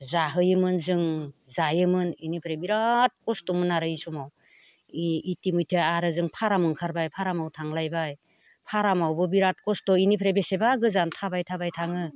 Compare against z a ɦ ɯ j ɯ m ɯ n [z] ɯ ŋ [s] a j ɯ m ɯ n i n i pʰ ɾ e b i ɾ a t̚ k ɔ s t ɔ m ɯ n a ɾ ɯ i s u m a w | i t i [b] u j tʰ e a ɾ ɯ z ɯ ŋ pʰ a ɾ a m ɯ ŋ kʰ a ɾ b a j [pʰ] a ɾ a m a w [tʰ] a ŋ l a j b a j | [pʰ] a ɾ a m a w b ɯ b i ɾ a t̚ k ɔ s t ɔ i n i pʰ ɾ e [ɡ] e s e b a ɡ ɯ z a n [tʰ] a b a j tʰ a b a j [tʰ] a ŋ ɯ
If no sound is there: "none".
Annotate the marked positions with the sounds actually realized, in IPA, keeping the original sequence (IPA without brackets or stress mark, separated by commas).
z, z, m, pʰ, tʰ, pʰ, b, tʰ, tʰ